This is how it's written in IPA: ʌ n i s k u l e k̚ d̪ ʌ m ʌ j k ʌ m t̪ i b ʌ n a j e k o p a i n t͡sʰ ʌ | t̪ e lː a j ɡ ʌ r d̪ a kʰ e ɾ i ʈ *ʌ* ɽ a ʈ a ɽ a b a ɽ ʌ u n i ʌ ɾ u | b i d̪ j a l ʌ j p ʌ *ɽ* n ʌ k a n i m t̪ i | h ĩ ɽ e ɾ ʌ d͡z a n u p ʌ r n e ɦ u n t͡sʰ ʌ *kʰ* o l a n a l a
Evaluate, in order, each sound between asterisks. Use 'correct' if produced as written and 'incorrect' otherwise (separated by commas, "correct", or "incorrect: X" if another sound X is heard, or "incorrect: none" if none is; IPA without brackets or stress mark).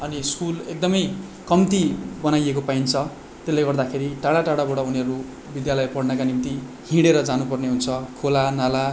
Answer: incorrect: a, correct, correct